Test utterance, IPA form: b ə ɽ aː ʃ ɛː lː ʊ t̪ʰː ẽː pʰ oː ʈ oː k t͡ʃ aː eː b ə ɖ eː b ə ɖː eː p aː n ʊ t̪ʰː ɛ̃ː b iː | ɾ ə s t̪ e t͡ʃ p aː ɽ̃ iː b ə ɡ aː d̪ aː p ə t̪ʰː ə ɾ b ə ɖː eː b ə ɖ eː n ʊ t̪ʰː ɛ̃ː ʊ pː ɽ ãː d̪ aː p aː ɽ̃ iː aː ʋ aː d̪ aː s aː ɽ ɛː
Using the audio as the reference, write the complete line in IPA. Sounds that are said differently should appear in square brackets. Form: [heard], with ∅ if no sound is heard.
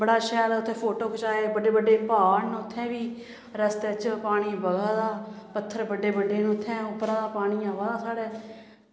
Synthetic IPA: b ə ɽ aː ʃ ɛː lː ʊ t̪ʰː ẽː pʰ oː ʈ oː k t͡ʃ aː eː b ə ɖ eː b ə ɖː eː p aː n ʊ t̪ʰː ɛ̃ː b iː | ɾ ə s t̪ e t͡ʃ p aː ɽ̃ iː b ə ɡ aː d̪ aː p ə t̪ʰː ə ɾ b ə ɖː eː b ə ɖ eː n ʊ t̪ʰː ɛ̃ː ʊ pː [ɾ] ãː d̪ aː p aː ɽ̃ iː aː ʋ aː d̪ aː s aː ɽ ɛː